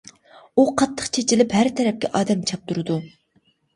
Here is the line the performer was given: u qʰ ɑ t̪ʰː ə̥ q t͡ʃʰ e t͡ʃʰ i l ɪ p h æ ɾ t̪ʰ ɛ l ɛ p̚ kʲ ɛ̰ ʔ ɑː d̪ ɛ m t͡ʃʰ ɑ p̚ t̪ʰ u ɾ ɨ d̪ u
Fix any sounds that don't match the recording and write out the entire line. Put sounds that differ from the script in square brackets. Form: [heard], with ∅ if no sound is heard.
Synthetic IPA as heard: u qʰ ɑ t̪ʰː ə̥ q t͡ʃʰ e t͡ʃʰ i l ɪ p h æ ɾ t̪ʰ ɛ [ɾ] ɛ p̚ kʲ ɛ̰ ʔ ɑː d̪ ɛ m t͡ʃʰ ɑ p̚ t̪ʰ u ɾ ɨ d̪ u